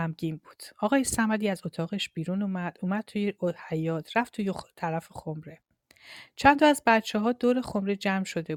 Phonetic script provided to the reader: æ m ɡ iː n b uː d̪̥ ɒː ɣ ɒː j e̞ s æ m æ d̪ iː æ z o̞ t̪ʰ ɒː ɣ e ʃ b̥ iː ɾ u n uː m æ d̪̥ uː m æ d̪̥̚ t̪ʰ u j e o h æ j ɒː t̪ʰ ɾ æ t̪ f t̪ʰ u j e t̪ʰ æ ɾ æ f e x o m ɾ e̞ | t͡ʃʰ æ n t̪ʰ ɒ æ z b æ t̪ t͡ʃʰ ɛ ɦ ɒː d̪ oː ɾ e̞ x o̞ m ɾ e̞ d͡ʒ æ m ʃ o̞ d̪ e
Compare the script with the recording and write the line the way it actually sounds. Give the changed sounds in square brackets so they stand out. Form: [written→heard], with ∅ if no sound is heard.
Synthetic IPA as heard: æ m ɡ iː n b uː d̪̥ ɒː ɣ ɒː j e̞ s æ m æ d̪ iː æ z o̞ t̪ʰ ɒː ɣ e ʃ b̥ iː ɾ u n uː m æ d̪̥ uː m æ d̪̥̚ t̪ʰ u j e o h æ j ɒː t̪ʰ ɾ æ [t̪→∅] f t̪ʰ u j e t̪ʰ æ ɾ æ f e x o m ɾ e̞ | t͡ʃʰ æ n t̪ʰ ɒ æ z b æ t̪ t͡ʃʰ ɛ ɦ ɒː d̪ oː ɾ e̞ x o̞ m ɾ e̞ d͡ʒ æ m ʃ o̞ d̪ e